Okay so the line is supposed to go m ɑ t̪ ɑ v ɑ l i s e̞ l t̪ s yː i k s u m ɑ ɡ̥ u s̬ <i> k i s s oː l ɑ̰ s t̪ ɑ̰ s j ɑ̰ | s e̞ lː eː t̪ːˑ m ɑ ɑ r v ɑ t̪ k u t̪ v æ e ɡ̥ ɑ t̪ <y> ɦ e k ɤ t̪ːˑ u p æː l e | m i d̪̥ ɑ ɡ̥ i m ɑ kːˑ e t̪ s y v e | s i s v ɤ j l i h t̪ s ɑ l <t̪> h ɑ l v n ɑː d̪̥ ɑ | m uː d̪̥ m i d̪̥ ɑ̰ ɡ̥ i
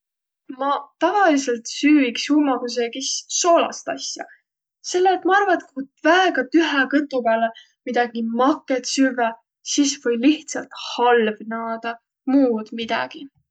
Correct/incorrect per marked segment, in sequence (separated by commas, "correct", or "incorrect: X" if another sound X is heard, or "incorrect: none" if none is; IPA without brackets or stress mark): incorrect: e, correct, correct